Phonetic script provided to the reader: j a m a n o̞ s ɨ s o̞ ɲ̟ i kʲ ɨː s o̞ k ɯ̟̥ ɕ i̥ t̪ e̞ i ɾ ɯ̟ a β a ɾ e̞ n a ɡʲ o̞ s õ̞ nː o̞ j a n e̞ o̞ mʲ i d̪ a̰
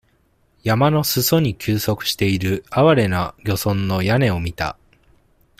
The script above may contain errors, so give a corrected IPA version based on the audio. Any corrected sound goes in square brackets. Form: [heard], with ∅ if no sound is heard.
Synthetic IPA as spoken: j a m a n o̞ s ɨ s o̞ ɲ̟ i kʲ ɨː s o̞ k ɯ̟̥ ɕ i̥ t̪ e̞ i ɾ ɯ̟ a β a ɾ e̞ n a ɡʲ o̞ s õ̞ nː o̞ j a n e̞ o̞ mʲ i [t̪] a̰